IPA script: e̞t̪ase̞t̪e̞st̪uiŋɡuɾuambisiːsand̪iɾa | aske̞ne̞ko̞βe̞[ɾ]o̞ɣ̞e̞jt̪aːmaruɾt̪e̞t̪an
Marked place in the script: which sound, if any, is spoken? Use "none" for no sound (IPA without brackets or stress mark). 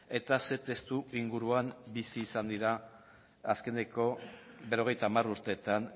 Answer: ɾ